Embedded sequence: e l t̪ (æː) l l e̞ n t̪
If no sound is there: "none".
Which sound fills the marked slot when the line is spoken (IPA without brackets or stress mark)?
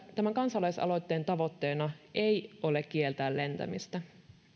æː